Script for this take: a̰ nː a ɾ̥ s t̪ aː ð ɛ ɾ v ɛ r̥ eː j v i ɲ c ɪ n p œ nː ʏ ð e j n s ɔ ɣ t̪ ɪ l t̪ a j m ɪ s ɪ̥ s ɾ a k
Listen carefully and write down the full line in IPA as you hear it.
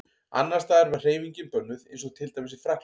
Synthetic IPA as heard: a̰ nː a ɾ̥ s t̪ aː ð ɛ ɾ v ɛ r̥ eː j v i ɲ c ɪ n p œ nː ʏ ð e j n s ɔ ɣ t̪ʰ ɪ l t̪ a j m ɪ s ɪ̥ f ɾ a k